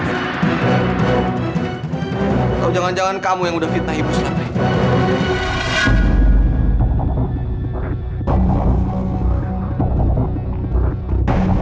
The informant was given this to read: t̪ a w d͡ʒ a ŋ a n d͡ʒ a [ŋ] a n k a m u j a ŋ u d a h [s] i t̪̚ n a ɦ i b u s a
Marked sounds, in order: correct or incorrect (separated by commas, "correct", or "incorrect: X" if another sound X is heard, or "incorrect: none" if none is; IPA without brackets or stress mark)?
correct, incorrect: f